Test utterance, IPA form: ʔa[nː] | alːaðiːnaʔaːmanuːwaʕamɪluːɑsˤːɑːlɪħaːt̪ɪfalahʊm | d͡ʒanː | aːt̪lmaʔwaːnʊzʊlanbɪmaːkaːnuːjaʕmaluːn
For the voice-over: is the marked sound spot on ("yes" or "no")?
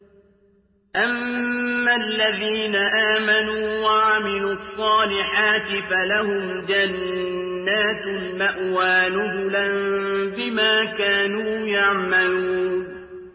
no